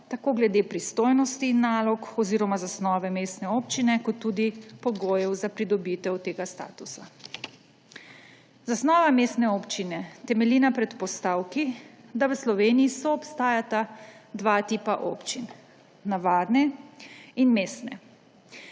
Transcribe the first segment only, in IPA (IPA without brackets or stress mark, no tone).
t̪